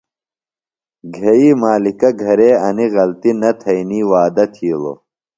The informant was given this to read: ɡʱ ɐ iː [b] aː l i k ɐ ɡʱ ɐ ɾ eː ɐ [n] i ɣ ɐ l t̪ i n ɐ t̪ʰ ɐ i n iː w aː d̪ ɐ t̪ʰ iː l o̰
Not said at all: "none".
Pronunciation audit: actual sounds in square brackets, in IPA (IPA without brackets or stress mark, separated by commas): m, n